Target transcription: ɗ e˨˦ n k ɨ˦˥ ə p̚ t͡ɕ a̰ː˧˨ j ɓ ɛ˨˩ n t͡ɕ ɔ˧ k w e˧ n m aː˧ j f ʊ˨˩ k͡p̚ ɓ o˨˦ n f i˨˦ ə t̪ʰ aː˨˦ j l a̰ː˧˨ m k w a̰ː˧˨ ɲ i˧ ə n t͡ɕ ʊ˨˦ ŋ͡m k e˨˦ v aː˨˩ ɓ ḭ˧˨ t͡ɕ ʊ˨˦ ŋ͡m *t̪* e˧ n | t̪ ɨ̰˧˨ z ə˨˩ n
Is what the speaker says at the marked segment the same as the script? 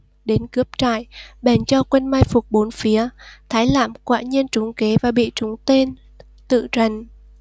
yes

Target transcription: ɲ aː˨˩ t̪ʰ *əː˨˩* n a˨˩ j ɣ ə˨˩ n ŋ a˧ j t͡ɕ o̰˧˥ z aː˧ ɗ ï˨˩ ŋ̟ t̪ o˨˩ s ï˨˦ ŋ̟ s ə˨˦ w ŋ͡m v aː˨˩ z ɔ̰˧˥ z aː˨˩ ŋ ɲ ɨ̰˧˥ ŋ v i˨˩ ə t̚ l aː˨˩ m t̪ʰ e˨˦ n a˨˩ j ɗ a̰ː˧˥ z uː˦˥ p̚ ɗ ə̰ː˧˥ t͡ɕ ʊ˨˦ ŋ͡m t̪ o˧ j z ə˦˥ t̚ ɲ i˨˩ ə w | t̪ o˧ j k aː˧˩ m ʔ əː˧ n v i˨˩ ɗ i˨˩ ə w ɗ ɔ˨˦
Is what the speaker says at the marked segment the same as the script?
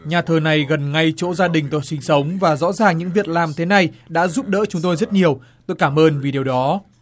yes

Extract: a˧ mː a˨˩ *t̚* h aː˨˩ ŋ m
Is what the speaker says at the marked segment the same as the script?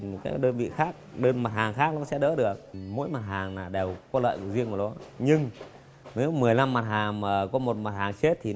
yes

